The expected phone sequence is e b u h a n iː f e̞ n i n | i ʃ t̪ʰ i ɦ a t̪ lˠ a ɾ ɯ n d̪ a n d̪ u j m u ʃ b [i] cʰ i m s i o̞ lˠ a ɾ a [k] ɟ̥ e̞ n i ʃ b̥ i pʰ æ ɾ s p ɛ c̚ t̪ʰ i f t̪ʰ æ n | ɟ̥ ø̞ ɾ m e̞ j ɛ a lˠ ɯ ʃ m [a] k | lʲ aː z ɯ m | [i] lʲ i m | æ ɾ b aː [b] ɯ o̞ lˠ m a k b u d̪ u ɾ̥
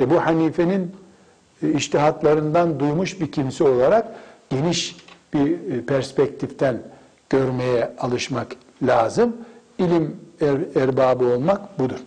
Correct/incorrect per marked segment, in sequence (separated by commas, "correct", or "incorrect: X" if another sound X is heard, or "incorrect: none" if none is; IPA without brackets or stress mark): correct, correct, correct, correct, correct